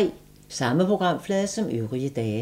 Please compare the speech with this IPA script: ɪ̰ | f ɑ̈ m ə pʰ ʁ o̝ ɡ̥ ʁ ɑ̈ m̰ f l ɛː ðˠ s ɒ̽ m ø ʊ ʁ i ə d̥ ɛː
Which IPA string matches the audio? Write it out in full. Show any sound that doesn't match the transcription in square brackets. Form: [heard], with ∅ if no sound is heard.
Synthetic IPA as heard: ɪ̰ | [s] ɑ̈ m ə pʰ ʁ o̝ ɡ̥ ʁ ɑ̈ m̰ f l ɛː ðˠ s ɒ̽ m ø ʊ ʁ i ə d̥ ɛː